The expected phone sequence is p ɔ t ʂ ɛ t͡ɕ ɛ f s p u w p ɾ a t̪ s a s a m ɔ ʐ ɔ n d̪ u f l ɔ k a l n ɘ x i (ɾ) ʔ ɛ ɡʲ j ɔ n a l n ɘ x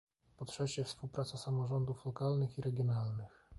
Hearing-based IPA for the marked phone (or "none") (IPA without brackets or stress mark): ɾ